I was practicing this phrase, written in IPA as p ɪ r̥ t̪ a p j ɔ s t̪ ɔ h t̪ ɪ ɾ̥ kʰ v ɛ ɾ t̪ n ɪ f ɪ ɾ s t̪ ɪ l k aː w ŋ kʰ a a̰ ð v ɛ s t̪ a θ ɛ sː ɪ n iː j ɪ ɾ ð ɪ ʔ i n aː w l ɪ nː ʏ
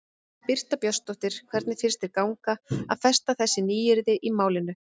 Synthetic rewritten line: p ɪ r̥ t̪ a p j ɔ s t̪ ɔ h t̪ ɪ ɾ̥ kʰ v ɛ ɾ t̪ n ɪ f ɪ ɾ s t̪ ɪ ɾ k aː w ŋ k a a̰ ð f ɛ s t̪ a θ ɛ sː ɪ n iː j ɪ ɾ ð ɪ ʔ i m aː w l ɪ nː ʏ